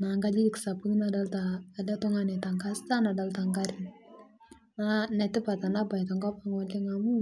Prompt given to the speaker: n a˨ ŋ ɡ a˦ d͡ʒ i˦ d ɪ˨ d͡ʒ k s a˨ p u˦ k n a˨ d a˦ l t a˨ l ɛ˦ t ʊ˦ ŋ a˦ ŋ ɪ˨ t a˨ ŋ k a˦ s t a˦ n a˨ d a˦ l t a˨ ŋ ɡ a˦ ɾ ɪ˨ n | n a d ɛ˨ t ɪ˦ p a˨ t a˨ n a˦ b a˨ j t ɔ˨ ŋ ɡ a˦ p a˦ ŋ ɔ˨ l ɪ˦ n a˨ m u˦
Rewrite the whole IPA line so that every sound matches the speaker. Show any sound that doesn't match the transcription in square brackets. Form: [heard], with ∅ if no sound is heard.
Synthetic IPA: n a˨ ŋ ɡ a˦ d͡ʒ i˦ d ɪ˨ [∅] k s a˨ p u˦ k n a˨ d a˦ l t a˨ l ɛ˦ t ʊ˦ ŋ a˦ [n] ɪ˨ t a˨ ŋ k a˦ s t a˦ n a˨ d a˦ l t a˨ ŋ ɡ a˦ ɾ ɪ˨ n | n a [n] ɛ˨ t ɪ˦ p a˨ t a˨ n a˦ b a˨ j t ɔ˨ ŋ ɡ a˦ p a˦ ŋ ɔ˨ l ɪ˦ [ŋ] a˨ m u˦